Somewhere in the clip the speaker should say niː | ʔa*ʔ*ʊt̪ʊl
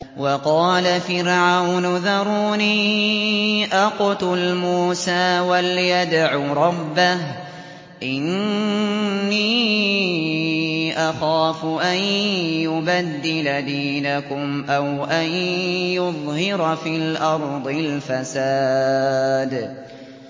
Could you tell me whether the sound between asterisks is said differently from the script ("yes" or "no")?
yes